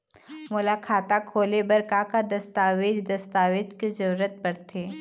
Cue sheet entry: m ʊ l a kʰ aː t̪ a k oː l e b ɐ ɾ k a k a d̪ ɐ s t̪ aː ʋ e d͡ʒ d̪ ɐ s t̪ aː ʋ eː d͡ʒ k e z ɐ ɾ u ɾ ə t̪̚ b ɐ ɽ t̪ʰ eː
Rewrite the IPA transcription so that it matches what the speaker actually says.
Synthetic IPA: m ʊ l a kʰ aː t̪ a kʰ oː l e b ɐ ɾ k a k a d̪ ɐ s t̪ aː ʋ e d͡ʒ d̪ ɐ s t̪ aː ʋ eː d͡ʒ k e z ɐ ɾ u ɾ ə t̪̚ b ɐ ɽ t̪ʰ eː